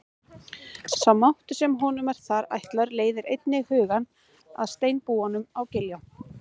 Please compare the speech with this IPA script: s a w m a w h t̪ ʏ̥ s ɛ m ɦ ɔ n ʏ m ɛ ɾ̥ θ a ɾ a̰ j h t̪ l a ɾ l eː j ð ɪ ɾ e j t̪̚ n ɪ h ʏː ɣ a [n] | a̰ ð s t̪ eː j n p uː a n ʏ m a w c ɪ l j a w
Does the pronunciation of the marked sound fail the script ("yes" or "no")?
no